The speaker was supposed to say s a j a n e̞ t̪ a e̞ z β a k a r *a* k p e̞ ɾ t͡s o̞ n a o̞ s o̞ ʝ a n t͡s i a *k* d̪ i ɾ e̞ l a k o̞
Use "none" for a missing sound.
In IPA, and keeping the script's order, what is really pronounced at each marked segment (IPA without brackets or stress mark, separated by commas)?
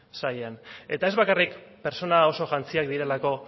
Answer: i, k